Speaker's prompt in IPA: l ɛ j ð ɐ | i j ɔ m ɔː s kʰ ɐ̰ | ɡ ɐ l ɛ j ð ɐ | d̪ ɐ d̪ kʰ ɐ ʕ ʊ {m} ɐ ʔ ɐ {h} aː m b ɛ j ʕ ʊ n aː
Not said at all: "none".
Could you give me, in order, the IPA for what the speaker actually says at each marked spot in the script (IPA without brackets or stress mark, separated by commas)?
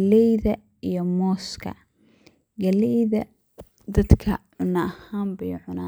n, h